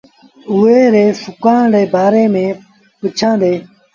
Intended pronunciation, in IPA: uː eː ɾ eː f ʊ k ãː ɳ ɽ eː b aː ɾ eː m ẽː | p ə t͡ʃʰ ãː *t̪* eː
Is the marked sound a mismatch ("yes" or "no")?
yes